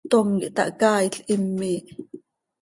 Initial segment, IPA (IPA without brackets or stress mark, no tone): t̪